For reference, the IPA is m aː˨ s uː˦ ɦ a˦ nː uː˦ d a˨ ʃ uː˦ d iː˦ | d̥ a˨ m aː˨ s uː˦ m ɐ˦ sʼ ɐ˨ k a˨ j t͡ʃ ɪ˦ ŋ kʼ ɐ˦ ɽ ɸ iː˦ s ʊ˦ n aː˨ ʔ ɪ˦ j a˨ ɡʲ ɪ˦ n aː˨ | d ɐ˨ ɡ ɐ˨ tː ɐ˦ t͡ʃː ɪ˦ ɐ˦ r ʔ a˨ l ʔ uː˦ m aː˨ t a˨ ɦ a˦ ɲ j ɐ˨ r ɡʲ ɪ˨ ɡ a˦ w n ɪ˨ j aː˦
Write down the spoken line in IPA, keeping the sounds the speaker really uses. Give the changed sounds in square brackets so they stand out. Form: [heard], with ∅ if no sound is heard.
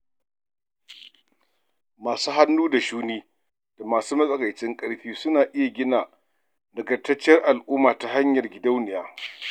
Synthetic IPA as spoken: m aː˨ s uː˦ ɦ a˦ nː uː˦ d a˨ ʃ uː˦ [n] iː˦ | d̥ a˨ m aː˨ s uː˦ m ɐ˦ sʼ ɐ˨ k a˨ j t͡ʃ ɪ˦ ŋ kʼ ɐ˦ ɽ ɸ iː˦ s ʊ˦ n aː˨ ʔ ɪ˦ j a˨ ɡʲ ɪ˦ n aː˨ | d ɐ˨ ɡ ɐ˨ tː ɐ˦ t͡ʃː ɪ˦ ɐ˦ r ʔ a˨ l ʔ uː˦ m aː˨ t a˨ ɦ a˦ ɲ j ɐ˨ r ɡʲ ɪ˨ [d] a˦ w n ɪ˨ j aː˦

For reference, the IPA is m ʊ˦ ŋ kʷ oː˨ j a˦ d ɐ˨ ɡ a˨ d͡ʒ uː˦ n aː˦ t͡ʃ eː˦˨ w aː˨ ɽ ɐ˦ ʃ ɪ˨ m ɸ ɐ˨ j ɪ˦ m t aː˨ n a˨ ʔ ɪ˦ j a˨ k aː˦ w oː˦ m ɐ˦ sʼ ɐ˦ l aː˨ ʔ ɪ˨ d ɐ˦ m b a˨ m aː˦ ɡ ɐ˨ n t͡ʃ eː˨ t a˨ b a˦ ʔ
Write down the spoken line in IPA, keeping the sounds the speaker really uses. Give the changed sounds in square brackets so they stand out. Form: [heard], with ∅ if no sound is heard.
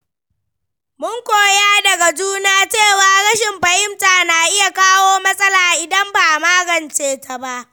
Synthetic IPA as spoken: m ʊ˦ ŋ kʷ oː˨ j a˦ d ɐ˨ ɡ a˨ d͡ʒ uː˦ n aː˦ t͡ʃ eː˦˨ w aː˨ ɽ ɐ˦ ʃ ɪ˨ m ɸ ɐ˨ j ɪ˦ m t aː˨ n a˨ ʔ ɪ˦ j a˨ k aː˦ w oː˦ m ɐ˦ sʼ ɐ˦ l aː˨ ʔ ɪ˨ d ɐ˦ m b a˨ m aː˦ ɡ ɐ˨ n t͡ʃ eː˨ t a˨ b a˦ ʔ

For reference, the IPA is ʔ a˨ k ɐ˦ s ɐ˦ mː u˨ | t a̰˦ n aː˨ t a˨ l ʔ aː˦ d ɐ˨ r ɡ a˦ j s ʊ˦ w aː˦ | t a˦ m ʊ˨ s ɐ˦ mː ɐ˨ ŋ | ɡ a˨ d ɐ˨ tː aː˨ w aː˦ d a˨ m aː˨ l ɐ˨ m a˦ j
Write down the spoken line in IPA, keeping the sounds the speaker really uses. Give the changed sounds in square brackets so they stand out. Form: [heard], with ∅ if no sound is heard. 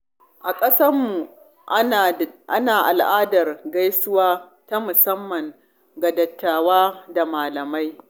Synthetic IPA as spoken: ʔ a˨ [kʼ] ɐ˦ s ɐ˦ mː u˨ | [ʔ] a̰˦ n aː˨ [ʔ] a˨ l ʔ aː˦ d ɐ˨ r ɡ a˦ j s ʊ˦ w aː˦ | t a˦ m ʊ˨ s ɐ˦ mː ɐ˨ ŋ | ɡ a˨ d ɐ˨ tː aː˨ w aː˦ d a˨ m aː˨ l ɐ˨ m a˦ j

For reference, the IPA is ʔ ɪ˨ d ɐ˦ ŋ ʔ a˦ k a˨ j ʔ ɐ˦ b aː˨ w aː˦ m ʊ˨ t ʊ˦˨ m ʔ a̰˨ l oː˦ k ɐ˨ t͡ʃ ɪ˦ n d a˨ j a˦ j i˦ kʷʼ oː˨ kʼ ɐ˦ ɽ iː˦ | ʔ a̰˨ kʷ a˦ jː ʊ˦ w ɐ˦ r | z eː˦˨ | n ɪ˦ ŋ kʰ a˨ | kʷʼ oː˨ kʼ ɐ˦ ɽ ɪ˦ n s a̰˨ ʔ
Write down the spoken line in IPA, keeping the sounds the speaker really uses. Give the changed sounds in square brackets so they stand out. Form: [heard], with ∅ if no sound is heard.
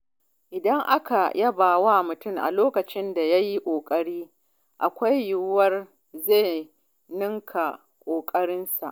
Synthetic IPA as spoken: ʔ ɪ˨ d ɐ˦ ŋ ʔ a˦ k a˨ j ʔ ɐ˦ b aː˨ w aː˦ m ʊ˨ t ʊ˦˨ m ʔ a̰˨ l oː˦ k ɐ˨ t͡ʃ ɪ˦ n d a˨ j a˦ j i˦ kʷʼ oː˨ kʼ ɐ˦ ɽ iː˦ | ʔ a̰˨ kʷ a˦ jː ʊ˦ w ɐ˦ r | z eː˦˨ | n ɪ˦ ŋ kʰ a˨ | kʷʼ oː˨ kʼ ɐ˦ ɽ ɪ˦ n s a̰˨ ʔ

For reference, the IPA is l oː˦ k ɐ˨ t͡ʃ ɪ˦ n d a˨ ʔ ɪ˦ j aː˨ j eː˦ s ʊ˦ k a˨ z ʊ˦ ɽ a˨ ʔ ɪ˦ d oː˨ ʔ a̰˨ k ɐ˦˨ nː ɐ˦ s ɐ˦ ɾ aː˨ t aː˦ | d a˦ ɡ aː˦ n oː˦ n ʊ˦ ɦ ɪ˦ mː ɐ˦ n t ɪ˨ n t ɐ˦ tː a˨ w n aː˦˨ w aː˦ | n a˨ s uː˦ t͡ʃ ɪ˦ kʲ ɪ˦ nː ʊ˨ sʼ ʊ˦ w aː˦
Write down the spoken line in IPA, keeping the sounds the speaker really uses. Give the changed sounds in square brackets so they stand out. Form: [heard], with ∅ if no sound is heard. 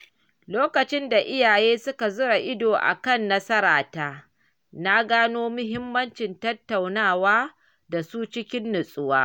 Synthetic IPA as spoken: l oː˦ k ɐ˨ t͡ʃ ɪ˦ n d a˨ ʔ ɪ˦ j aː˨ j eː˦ s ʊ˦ k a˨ z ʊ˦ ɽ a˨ ʔ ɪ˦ d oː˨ ʔ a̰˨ k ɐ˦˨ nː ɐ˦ s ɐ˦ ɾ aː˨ t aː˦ | [n] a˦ ɡ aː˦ n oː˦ [m] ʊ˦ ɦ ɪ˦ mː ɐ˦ n [t͡ʃ] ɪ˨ n t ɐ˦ tː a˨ w n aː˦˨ w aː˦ | [d] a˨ s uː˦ t͡ʃ ɪ˦ kʲ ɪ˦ nː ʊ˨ sʼ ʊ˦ w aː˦

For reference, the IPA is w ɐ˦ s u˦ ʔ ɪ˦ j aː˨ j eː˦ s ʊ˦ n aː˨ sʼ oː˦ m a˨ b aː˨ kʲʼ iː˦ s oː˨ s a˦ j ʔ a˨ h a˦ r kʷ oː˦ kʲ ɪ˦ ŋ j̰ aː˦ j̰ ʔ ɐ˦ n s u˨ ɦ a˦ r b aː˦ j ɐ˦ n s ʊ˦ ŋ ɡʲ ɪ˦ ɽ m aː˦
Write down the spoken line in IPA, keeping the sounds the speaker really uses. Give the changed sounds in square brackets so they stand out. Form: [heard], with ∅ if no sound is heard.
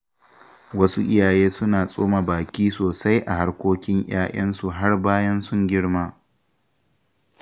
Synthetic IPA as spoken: w ɐ˦ s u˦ ʔ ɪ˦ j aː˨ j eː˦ s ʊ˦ n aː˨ sʼ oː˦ m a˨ b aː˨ [kʲ] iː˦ s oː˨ s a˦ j ʔ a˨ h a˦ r kʷ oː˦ kʲ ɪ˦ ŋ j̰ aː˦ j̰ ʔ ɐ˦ n s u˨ ɦ a˦ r b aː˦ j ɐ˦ n s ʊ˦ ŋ ɡʲ ɪ˦ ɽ m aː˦

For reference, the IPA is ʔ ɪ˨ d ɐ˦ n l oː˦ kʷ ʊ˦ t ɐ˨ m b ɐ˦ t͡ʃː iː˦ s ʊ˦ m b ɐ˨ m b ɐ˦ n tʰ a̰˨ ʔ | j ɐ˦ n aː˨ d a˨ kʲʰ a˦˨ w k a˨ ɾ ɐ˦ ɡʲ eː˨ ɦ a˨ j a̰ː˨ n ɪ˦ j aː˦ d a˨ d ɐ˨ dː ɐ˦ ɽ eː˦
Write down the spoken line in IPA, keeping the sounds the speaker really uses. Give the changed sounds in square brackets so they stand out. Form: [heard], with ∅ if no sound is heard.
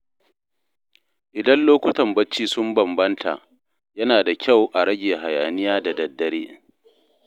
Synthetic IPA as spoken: ʔ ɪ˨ d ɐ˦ n l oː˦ kʷ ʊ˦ t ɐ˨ m b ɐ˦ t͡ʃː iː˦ s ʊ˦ m b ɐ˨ m b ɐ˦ n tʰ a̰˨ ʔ | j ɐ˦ n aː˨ d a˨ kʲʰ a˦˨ w [ʔ] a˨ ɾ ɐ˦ ɡʲ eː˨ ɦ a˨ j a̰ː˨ n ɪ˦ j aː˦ d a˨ d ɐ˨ dː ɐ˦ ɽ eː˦

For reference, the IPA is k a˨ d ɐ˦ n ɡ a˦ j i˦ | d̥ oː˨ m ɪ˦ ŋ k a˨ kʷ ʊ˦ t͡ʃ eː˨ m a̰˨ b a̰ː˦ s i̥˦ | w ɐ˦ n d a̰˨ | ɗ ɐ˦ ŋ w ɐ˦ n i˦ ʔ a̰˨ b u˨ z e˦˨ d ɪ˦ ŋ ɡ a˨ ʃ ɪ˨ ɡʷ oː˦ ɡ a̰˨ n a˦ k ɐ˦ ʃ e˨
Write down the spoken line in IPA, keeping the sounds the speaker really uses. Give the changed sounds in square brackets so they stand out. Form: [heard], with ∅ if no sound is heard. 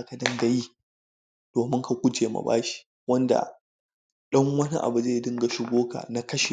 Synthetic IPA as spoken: k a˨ d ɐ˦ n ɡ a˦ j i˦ | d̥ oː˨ m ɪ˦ ŋ k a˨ kʷ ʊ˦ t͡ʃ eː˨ m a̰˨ b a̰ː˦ [ʃ] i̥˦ | w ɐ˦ n d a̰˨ | ɗ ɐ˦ ŋ w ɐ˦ n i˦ ʔ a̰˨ b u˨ z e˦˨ d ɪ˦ ŋ ɡ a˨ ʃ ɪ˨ ɡʷ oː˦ [k] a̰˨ n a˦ k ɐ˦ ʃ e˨

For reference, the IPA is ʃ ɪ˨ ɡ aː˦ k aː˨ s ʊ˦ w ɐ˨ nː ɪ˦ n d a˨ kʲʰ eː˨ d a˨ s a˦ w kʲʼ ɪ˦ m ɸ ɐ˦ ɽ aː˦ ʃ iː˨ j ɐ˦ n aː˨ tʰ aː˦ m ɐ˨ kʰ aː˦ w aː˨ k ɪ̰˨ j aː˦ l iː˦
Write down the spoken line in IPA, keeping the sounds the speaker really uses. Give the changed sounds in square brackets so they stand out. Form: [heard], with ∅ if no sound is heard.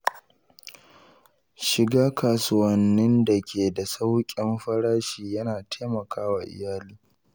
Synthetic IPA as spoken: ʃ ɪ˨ ɡ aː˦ k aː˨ s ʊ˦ w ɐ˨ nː ɪ˦ n d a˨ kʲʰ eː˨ d a˨ s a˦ w kʲʼ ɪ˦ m ɸ ɐ˦ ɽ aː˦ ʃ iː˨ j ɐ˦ n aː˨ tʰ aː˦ m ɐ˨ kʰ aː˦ w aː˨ [ʔ] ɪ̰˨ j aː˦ l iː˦

